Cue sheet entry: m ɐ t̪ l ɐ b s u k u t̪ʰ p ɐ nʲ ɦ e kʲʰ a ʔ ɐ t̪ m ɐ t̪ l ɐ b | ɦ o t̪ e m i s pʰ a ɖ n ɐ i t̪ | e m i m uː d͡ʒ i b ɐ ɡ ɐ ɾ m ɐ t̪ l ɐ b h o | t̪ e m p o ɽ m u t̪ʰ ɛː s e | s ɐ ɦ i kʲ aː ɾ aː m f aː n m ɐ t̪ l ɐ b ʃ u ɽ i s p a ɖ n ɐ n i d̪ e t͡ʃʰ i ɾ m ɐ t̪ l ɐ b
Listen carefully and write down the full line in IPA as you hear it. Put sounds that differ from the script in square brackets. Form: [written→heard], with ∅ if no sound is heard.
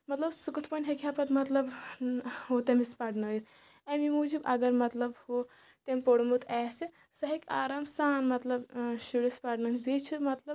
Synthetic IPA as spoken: m ɐ t̪ l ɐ b s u k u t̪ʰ p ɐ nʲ ɦ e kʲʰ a [ʔ→p] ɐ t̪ m ɐ t̪ l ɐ b | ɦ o t̪ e m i s [pʰ→p] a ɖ n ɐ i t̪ | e m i m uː d͡ʒ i b ɐ ɡ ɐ ɾ m ɐ t̪ l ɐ b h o | t̪ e m p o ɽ m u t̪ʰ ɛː s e | s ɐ ɦ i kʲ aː ɾ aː m [f→s] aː n m ɐ t̪ l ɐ b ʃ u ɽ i s p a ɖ n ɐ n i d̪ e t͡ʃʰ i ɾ m ɐ t̪ l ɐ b